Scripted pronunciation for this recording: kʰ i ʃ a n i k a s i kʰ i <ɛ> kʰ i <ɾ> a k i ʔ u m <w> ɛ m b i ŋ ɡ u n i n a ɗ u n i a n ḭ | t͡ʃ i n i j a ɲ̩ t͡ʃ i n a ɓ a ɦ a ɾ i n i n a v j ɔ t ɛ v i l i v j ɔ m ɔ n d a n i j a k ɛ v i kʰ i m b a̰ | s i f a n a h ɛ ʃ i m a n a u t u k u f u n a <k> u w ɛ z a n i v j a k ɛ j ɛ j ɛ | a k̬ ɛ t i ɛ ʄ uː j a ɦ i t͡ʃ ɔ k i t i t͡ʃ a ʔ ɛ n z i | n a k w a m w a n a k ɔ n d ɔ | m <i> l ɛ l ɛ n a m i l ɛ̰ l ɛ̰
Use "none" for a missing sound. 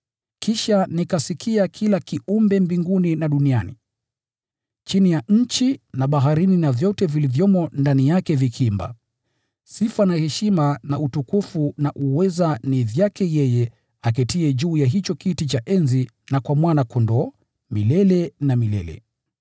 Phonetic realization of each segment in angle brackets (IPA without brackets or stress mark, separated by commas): a, l, b, ʔ, i